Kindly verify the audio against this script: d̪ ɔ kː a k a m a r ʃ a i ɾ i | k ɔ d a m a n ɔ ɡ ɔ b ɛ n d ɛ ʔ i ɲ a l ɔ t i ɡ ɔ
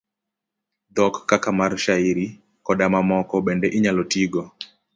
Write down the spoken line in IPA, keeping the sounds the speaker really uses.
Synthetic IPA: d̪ ɔ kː a k a m a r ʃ a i ɾ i | k ɔ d a m a m ɔ k ɔ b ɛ n d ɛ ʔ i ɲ a l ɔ t i ɡ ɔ